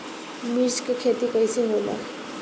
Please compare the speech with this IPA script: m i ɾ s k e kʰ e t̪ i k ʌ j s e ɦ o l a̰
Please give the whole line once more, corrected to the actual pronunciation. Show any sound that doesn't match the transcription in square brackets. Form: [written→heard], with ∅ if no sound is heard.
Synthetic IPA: m i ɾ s k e kʰ e t̪ i k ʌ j s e ɦ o l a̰